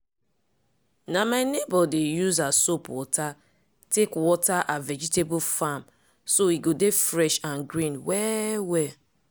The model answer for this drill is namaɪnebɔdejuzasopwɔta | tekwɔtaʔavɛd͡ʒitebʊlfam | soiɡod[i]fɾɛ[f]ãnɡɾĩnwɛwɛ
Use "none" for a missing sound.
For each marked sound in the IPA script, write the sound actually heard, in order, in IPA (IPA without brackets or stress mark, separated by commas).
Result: e, ʃ